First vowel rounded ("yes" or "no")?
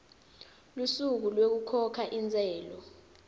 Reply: yes